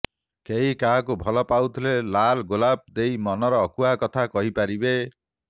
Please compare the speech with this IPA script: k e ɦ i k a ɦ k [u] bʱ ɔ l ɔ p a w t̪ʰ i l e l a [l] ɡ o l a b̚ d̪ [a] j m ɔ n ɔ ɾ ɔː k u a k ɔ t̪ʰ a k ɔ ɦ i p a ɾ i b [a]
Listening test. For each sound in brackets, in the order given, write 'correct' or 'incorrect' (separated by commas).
correct, correct, incorrect, incorrect